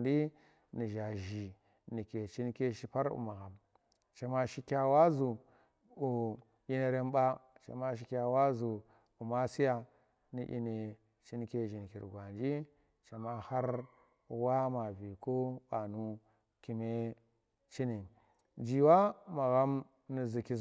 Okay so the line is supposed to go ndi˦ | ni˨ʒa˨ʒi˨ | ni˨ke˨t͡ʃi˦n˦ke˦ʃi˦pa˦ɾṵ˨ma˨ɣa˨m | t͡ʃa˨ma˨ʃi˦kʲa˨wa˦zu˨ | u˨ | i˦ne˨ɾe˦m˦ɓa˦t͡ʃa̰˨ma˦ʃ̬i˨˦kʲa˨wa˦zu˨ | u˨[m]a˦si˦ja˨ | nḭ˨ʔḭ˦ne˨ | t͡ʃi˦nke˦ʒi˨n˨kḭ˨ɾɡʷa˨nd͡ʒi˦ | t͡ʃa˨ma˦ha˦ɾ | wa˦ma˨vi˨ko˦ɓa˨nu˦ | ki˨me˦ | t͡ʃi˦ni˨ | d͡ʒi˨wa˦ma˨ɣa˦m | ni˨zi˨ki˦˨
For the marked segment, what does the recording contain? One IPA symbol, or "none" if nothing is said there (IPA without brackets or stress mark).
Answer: m